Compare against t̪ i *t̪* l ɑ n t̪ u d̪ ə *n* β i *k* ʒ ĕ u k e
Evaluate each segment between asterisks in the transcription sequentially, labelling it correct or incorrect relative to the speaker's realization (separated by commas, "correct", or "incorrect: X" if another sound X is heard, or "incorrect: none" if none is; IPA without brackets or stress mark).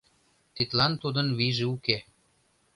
correct, correct, incorrect: none